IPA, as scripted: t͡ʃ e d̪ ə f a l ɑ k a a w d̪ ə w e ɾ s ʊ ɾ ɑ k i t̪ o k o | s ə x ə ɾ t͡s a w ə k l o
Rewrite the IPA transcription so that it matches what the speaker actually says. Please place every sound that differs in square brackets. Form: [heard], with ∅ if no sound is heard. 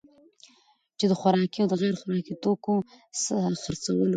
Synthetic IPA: t͡ʃ e d̪ ə [x] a [ɾ] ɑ k [i] a w d̪ ə [ɣ] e ɾ [x] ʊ ɾ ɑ k i t̪ o k o | s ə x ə ɾ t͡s a w ə [∅] l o